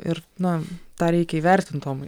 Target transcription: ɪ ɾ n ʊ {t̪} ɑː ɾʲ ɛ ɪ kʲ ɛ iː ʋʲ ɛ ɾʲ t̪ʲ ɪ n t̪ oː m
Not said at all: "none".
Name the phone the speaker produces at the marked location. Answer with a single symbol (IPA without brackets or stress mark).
t̪